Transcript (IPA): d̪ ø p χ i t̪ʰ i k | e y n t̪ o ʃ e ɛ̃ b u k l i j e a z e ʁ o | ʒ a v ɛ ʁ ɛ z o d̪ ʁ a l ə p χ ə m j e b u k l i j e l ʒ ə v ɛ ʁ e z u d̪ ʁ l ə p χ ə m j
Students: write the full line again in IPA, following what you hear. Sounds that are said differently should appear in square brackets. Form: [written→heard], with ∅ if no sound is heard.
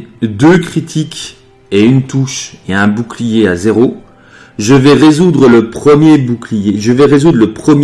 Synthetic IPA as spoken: d̪ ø [p→k] χ i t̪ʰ i k | e y n t̪ [o→u] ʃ e ɛ̃ b u k l i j e a z e ʁ o | ʒ [a→ə] v ɛ ʁ [ɛ→e] z [o→u] d̪ ʁ [a→ə] l ə p χ ə m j e b u k l i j e [l→∅] ʒ ə v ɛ ʁ e z u d̪ ʁ l ə p χ ə m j